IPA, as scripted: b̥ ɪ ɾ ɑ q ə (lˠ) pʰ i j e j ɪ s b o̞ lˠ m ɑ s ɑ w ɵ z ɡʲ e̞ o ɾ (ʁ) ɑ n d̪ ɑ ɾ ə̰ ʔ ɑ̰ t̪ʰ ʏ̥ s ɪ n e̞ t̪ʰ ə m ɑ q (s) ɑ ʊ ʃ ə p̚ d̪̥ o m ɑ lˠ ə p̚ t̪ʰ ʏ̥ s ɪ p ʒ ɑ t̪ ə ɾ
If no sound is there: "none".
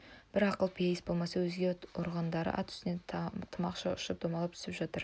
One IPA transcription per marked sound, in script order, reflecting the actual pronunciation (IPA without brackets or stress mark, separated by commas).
lˠ, ʁ, ʃ